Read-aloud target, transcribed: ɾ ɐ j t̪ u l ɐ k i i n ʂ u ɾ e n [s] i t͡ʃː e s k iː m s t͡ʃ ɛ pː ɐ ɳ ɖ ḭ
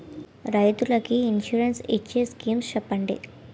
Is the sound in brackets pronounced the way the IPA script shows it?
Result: yes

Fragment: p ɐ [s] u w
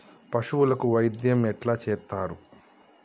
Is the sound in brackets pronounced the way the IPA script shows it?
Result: no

